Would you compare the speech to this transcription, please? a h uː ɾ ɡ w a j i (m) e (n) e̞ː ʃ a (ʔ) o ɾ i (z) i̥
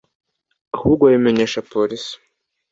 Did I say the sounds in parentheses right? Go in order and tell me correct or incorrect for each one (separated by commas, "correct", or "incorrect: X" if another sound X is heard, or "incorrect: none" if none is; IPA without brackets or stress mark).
correct, incorrect: ɲ, incorrect: p, incorrect: s